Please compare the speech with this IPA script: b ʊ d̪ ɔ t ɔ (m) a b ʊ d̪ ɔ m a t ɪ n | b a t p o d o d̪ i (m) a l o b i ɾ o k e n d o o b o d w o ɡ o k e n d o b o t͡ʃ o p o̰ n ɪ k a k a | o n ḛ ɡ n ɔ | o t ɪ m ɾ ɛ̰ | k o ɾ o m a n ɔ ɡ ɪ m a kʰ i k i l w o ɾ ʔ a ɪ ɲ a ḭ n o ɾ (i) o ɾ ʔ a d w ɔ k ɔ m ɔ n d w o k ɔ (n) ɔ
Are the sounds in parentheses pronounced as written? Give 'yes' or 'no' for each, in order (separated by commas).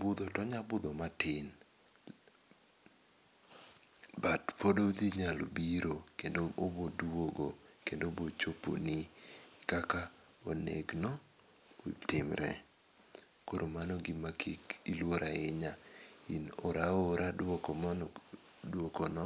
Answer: no, no, no, yes